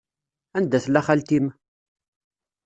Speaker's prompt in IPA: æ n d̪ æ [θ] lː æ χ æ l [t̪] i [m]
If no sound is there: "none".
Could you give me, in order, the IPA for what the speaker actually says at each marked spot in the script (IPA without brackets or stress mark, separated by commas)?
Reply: θ, t̪, m